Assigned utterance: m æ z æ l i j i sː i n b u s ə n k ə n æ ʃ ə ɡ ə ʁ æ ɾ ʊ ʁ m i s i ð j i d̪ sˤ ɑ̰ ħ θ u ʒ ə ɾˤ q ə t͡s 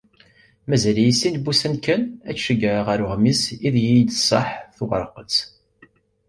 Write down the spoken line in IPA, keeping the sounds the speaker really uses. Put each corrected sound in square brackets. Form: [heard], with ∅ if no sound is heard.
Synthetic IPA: m æ z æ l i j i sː i n b u s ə n k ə n æ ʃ ə ɡ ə ʁ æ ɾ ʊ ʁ m i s i ð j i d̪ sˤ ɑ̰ ħ θ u [ʁ] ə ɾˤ q ə t͡s